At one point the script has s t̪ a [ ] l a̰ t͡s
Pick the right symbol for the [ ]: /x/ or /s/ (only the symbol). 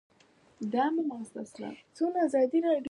s